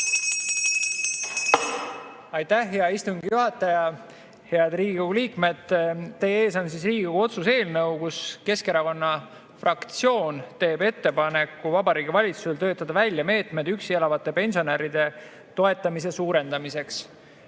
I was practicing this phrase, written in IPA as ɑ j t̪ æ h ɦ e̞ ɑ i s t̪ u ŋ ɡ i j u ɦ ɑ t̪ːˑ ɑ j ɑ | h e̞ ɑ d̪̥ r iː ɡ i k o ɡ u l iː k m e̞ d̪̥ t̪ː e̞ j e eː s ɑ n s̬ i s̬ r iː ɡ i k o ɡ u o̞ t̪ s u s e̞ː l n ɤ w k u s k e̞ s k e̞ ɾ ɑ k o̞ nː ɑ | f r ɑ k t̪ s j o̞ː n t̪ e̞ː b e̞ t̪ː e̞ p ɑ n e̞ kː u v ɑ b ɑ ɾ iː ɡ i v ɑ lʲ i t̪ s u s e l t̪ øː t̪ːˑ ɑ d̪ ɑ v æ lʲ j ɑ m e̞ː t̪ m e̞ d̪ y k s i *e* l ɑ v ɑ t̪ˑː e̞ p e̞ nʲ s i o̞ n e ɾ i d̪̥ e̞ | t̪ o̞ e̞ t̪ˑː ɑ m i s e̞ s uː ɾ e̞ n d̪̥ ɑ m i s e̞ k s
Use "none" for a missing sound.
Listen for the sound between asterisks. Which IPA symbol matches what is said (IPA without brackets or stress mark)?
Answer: e